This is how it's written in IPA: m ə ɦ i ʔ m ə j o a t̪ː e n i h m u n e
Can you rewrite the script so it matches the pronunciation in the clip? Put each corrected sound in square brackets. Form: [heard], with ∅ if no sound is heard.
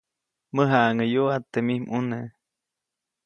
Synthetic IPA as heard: m ə ɦ [a] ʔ [ŋ] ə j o a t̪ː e [m] i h m u n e